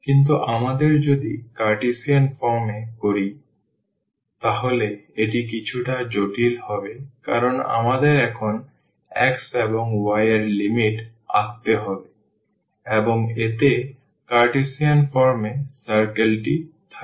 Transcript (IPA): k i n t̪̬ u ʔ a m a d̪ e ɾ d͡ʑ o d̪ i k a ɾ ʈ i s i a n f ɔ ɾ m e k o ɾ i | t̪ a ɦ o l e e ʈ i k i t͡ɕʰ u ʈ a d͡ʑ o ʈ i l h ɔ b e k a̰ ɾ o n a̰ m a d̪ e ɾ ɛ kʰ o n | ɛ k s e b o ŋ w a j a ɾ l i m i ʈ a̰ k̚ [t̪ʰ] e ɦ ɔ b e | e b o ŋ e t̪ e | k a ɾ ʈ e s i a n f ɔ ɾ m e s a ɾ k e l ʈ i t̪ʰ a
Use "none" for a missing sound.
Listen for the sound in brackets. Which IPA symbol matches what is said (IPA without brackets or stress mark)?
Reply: t̪